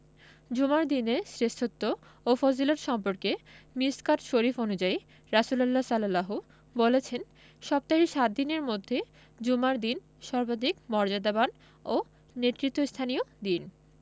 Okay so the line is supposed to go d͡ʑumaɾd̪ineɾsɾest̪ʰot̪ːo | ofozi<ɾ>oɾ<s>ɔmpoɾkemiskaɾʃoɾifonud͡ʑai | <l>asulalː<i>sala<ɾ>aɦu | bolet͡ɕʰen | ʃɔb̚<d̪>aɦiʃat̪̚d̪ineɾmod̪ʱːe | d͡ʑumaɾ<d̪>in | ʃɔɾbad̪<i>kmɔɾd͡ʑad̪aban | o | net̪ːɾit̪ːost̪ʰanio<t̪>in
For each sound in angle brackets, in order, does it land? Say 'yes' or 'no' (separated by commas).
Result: no, no, no, no, no, no, yes, yes, no